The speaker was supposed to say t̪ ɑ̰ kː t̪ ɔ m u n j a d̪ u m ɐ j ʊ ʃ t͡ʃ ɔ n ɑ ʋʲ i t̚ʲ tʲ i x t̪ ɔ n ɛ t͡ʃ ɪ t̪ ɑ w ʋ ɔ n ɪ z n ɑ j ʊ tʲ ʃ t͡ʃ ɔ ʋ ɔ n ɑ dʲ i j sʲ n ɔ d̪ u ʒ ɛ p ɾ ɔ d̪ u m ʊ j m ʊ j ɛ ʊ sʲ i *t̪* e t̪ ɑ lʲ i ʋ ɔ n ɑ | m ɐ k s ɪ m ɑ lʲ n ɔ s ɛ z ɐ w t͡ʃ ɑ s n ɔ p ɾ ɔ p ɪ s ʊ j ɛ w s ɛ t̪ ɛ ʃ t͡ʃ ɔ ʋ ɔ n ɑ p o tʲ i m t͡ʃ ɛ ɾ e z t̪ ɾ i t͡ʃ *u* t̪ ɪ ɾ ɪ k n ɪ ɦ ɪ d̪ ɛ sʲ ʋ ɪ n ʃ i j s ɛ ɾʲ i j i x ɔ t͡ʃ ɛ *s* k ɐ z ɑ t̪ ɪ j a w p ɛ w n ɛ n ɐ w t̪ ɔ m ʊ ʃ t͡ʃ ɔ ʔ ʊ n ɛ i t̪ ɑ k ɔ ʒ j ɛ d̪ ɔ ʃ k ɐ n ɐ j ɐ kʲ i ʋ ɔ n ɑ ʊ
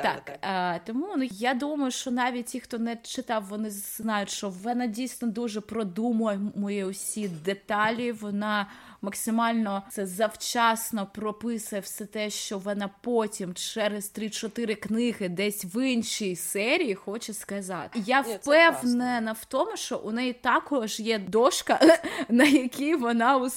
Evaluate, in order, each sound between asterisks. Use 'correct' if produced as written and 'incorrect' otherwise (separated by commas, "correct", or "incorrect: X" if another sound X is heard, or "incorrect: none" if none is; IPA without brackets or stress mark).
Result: incorrect: d̪, incorrect: ɔ, correct